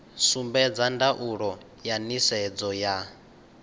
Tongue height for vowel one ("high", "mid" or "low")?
high